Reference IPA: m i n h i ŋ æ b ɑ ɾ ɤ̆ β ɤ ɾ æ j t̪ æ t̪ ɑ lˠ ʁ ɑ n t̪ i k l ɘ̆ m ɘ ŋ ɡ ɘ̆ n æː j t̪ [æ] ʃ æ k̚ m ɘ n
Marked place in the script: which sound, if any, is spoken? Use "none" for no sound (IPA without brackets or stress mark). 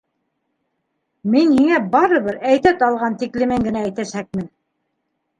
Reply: æ